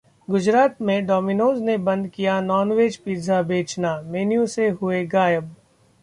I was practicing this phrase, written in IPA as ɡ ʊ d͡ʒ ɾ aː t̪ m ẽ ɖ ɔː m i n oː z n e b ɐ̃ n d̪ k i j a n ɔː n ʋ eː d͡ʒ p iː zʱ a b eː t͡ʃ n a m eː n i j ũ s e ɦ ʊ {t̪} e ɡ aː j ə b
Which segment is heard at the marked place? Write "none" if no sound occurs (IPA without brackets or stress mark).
none